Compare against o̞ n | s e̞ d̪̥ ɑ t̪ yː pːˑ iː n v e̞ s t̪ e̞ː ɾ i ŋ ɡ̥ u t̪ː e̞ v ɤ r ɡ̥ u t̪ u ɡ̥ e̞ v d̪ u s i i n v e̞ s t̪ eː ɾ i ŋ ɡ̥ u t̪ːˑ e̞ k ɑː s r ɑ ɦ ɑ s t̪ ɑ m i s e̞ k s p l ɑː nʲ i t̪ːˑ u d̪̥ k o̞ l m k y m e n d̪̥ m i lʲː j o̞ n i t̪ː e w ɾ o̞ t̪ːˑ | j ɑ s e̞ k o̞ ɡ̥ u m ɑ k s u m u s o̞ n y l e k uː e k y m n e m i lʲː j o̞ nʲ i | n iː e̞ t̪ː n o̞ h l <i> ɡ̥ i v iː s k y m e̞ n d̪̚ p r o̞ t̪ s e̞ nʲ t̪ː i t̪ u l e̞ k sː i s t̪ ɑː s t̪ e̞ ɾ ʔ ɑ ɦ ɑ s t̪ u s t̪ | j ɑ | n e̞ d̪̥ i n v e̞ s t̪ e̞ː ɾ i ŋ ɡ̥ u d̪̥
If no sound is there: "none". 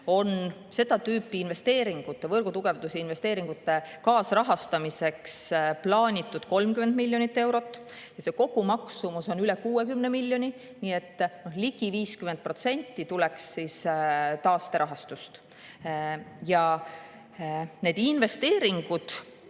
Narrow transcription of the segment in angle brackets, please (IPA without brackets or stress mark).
i